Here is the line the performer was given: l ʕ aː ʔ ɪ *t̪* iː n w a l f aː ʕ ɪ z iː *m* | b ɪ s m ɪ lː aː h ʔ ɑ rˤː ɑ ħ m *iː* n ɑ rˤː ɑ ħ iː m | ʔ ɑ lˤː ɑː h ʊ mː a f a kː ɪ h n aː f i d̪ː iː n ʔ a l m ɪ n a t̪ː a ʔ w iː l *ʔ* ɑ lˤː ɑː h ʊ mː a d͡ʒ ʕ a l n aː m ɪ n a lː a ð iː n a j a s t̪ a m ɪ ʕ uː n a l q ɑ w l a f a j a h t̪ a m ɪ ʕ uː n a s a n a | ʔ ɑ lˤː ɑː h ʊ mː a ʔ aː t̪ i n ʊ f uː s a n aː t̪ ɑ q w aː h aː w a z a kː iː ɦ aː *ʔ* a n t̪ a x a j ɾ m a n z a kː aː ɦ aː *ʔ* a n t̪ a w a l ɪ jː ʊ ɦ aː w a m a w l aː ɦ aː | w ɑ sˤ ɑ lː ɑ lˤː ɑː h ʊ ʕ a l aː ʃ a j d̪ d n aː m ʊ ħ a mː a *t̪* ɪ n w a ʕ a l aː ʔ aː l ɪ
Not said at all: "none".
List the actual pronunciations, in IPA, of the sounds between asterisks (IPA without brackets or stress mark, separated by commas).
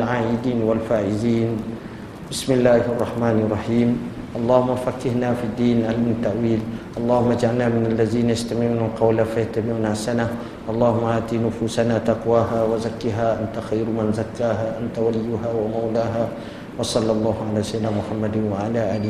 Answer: d̪, n, aː, ʔ, ʔ, ʔ, d̪